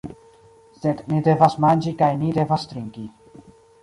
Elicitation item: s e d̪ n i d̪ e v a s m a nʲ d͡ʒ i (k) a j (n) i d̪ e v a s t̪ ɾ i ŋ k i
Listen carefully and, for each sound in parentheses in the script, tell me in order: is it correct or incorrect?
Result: correct, correct

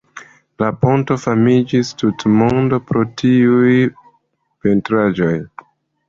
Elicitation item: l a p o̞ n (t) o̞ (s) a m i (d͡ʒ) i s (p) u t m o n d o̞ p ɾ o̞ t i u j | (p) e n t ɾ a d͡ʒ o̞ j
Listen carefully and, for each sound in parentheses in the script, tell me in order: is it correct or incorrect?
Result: correct, incorrect: f, correct, incorrect: t, correct

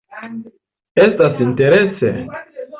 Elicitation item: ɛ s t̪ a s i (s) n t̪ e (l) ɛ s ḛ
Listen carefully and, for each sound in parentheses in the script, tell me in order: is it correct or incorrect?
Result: incorrect: none, incorrect: ɾ

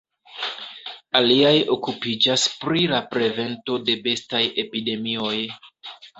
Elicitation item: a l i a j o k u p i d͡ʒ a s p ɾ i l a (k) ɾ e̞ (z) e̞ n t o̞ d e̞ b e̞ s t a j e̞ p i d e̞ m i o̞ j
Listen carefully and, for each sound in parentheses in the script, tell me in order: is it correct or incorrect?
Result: incorrect: p, incorrect: v

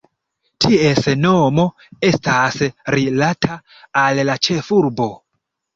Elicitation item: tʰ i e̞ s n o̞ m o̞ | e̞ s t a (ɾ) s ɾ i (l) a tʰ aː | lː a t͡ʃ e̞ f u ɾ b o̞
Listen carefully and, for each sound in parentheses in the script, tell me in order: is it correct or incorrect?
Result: incorrect: none, correct

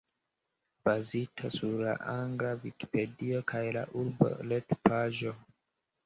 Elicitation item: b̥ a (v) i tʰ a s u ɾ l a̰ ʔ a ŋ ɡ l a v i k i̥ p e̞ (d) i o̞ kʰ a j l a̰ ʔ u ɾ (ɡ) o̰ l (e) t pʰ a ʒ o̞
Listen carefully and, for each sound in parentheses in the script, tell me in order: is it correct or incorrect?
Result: incorrect: z, correct, incorrect: b, correct

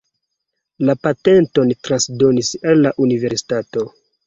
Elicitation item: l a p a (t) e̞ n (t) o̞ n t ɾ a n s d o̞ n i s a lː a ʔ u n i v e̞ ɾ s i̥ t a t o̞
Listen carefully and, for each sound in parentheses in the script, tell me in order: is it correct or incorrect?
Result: correct, correct

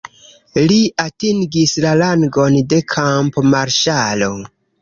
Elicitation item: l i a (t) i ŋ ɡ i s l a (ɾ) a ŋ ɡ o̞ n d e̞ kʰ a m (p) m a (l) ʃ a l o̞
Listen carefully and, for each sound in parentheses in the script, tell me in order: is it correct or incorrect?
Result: correct, incorrect: l, correct, incorrect: ɾ

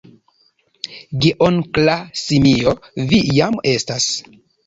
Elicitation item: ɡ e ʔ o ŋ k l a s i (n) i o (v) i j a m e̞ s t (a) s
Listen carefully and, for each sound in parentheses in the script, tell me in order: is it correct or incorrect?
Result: incorrect: m, correct, correct

